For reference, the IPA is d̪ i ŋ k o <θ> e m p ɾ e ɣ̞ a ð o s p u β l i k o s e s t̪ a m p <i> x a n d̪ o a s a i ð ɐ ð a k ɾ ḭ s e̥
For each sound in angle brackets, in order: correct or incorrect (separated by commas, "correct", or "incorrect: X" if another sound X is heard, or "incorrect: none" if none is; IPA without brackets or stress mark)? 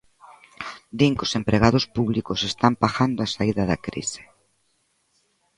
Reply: incorrect: s, incorrect: a